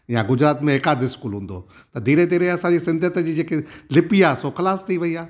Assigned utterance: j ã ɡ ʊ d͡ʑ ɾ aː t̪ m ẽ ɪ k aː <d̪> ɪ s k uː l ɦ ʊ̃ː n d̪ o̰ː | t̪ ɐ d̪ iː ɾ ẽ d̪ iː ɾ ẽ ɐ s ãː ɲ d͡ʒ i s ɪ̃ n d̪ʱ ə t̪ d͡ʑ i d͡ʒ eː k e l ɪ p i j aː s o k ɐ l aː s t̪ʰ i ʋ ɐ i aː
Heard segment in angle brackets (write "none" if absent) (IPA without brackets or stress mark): d̪